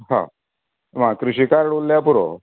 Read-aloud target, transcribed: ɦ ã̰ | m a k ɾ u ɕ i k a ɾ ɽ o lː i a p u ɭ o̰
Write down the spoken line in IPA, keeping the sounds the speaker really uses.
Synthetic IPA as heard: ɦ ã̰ | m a k ɾ u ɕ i k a ɾ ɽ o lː j a p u ɾ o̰

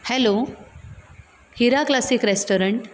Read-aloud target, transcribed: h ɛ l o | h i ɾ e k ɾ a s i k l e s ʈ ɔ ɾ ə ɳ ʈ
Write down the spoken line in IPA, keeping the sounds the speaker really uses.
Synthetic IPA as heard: h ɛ l o | h i ɾ a k l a s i k ɾ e s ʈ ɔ ɾ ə ɳ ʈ

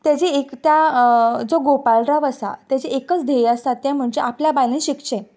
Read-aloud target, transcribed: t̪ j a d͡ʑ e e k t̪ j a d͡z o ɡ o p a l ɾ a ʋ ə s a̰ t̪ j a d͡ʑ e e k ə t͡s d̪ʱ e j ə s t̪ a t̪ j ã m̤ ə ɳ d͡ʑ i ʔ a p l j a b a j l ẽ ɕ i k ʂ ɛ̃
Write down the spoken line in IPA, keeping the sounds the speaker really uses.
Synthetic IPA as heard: t̪ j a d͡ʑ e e k t̪ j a d͡z o ɡ o p a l ɾ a ʋ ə s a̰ t̪ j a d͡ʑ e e k ə t͡s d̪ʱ e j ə s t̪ a t̪ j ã m̤ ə ɳ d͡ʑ e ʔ a p l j a b a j l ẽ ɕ i k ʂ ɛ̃

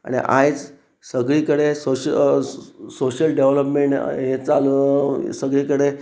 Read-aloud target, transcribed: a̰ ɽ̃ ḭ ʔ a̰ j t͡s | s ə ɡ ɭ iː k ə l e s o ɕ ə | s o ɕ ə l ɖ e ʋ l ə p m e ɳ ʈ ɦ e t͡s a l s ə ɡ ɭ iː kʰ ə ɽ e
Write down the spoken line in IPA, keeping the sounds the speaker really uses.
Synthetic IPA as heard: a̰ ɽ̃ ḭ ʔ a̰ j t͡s | s ə ɡ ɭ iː k ə ɽ e s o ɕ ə | s o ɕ ə l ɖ e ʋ l ə p m e ɳ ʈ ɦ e t͡s a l s ə ɡ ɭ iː k ə ɽ e

